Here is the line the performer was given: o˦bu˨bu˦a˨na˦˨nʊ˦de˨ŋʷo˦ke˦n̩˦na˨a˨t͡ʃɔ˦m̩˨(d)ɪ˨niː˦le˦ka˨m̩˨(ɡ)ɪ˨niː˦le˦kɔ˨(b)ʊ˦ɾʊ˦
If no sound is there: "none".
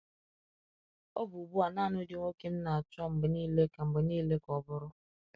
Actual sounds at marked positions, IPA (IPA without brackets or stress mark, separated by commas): b, b, b